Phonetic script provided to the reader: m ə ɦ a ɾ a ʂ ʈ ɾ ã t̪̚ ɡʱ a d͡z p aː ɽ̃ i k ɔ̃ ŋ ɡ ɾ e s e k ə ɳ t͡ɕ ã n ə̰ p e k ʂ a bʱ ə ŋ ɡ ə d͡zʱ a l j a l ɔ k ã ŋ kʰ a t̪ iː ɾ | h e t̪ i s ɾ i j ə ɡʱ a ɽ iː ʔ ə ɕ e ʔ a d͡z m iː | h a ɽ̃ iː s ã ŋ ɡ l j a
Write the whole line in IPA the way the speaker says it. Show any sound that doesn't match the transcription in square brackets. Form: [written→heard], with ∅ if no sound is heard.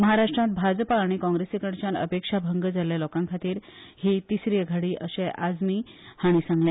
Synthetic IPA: m ə ɦ a ɾ a ʂ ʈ ɾ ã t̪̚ [ɡʱ→bʱ] a d͡z p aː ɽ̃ i k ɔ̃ ŋ ɡ ɾ e s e k ə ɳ t͡ɕ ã n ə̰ p e k ʂ a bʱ ə ŋ ɡ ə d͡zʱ a l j a l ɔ k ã ŋ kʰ a t̪ iː ɾ | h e t̪ i s ɾ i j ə ɡʱ a ɽ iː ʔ ə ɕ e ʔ a d͡z m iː | h a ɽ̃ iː s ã ŋ ɡ l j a